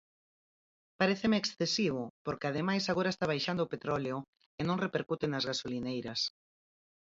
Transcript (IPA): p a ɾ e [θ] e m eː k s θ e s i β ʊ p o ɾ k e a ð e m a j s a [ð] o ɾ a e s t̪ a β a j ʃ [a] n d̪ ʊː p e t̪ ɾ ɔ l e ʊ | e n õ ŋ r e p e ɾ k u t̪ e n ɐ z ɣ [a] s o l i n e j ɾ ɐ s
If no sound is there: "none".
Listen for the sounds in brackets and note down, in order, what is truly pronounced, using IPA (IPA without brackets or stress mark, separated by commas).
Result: θ, ɣ, a, a